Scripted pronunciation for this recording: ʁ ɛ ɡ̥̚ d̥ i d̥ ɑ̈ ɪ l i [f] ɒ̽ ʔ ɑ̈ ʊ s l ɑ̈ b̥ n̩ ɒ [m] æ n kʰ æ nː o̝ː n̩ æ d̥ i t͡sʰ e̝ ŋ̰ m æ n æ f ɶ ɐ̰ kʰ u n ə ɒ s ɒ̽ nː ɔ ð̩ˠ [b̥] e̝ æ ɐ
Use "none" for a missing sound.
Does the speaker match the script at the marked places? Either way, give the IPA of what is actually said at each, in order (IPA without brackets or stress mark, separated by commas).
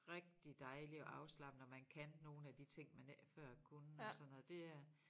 none, m, d̥